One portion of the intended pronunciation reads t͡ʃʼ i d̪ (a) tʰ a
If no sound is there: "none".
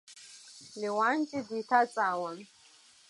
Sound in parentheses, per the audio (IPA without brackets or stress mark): i